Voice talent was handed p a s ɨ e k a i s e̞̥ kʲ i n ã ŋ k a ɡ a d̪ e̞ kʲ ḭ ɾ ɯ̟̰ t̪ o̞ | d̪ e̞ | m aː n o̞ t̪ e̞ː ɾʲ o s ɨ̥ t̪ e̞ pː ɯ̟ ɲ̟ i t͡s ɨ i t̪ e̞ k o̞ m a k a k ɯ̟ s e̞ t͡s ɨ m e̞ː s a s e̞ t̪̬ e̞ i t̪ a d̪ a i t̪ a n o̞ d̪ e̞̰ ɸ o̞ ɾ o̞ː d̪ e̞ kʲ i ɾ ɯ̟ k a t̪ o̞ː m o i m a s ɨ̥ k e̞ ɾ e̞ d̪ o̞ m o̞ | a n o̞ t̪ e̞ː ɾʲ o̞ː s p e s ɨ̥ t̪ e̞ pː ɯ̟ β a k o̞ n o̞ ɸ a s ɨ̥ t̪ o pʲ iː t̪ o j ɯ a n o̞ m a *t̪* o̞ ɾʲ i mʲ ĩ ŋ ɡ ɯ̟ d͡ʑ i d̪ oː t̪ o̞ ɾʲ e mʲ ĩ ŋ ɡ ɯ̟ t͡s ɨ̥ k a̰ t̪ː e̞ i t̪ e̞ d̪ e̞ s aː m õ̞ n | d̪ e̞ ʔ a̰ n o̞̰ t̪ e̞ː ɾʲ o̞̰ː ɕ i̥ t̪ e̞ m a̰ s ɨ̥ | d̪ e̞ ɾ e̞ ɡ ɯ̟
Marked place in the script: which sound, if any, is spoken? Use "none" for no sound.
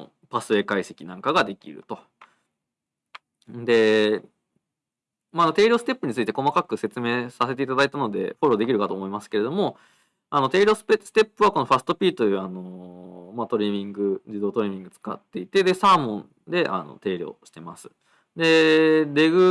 t̪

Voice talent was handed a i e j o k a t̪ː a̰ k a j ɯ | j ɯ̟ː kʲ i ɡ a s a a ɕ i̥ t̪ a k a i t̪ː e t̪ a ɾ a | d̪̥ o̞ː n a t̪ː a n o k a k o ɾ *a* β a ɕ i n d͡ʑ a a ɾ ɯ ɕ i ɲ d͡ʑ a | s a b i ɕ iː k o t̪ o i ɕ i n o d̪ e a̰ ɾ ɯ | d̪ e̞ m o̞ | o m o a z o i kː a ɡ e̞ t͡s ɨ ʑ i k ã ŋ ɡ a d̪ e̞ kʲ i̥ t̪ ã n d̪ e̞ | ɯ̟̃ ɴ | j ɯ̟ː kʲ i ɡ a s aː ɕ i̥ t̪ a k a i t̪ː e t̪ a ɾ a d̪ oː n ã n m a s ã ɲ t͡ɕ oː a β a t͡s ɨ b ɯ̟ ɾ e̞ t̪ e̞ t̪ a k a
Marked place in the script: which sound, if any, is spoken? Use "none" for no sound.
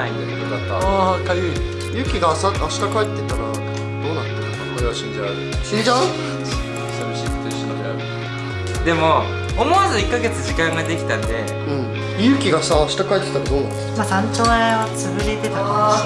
e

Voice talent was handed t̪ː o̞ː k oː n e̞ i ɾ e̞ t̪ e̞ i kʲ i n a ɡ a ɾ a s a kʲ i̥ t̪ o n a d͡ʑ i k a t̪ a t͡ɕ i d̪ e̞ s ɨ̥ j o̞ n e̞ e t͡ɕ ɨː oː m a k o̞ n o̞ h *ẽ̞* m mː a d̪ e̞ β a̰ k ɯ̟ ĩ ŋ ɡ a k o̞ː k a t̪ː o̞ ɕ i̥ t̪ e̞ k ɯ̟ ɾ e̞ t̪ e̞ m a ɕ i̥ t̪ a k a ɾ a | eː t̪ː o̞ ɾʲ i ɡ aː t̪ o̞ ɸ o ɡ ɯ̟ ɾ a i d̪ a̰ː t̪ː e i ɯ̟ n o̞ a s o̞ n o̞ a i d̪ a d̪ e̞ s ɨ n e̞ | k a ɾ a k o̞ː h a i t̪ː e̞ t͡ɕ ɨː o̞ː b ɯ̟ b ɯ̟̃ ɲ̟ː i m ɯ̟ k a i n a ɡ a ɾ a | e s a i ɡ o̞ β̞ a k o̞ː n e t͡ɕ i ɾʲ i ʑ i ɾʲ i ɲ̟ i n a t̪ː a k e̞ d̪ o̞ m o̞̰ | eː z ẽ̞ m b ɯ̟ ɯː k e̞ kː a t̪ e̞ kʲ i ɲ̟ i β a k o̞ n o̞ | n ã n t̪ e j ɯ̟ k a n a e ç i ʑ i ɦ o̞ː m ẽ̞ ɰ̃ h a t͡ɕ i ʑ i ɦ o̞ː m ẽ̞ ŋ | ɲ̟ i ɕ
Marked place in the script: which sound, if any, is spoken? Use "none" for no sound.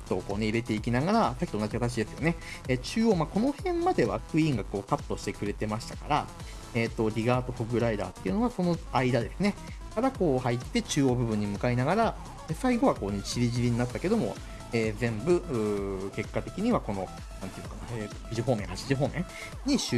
ẽ̞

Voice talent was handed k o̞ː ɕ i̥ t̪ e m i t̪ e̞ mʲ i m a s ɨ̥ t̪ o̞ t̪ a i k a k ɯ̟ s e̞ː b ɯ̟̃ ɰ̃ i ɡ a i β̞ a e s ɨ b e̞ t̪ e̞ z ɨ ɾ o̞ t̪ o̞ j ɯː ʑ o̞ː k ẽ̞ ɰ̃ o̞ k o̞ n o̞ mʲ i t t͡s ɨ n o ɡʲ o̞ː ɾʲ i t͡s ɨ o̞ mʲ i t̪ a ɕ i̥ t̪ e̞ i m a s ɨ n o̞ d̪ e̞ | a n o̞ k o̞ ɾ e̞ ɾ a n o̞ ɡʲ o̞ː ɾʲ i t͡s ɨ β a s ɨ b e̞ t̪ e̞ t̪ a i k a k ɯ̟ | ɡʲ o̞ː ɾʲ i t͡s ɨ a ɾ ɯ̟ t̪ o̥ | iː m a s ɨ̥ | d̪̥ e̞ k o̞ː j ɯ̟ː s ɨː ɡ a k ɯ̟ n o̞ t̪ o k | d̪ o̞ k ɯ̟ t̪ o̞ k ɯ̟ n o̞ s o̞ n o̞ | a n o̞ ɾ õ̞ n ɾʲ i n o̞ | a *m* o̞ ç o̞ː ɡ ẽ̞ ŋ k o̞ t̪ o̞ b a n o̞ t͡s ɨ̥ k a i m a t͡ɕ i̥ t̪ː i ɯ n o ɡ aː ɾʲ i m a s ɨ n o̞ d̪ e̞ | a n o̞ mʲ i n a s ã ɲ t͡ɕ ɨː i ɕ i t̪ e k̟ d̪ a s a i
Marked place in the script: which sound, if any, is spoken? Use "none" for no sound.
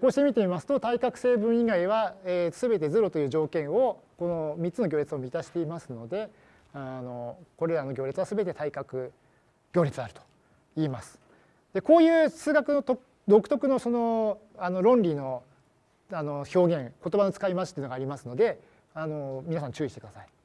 n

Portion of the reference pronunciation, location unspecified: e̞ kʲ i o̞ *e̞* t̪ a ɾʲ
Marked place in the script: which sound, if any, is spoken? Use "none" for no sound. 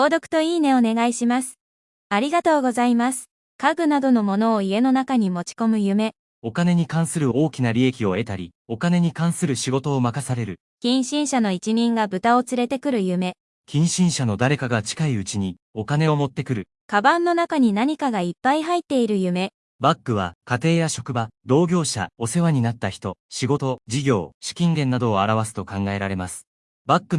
e̞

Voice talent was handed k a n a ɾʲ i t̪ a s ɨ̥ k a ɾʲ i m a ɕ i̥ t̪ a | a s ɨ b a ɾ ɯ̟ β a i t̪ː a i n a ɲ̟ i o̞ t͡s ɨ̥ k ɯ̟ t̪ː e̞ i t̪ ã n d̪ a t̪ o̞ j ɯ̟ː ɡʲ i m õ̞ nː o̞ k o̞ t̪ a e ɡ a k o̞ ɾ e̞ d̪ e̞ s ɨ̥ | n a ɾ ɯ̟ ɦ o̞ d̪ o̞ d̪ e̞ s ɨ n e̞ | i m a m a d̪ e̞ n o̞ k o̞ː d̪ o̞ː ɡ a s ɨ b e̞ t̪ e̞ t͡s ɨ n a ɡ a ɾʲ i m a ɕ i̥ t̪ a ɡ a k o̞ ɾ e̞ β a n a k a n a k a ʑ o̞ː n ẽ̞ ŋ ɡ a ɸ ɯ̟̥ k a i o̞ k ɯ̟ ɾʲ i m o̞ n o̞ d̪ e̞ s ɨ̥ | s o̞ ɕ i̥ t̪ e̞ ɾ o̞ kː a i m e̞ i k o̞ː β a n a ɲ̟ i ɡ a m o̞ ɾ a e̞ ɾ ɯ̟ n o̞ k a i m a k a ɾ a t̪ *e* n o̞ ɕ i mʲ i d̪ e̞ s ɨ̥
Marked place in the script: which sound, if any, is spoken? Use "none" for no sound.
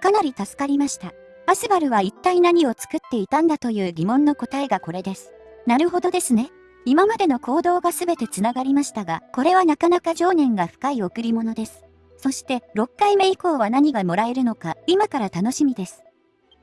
a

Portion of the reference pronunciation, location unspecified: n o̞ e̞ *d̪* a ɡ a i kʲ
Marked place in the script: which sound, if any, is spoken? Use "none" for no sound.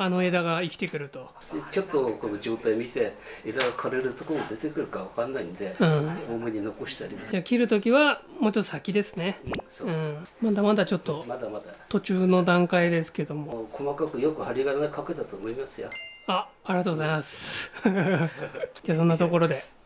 d̪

